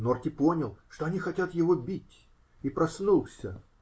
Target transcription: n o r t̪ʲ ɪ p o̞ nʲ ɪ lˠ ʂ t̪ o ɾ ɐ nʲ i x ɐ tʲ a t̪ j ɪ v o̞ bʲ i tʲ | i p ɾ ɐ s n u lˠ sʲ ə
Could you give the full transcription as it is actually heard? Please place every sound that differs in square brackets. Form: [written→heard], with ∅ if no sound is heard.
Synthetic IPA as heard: n o r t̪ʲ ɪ p o̞ nʲ ɪ lˠ ʂ t̪ o [ɾ→∅] ɐ nʲ i x ɐ tʲ a t̪ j ɪ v o̞ bʲ i tʲ | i p ɾ ɐ s n u lˠ sʲ ə